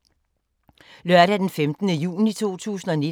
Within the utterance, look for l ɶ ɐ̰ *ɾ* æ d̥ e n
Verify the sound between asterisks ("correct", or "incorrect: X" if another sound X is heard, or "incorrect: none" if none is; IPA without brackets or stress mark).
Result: correct